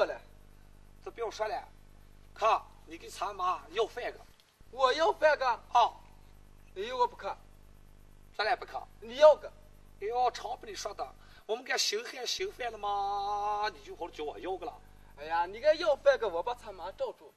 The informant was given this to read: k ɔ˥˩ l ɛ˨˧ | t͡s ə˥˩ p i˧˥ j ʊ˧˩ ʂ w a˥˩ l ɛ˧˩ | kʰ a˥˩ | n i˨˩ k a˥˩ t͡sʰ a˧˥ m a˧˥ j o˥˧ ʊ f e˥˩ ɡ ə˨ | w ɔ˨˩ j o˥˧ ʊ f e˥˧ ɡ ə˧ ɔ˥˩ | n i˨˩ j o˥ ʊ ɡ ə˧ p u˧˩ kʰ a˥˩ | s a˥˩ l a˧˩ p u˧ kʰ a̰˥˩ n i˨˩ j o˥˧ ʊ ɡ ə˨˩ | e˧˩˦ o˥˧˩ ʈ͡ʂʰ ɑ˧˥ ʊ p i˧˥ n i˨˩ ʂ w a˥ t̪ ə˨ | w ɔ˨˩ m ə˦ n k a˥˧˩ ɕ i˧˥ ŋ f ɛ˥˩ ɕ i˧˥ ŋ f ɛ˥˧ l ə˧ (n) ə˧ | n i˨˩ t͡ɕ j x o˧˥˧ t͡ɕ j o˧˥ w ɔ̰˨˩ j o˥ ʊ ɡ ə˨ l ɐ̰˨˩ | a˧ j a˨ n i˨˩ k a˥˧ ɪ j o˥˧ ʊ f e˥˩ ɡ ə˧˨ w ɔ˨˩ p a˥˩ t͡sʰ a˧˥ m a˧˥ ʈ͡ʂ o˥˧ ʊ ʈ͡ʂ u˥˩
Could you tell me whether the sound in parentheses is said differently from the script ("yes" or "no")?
yes